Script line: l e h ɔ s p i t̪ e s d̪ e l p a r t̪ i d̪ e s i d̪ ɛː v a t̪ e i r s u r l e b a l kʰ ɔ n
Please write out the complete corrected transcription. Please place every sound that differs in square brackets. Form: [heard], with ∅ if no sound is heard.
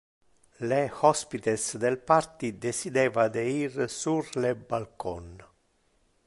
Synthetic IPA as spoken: l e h ɔ s p i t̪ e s d̪ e l p a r t̪ i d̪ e s i d̪ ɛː v a [d̪] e i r s u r l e b a l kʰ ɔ n